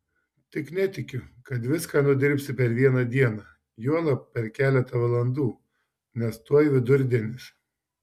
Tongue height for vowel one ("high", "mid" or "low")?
high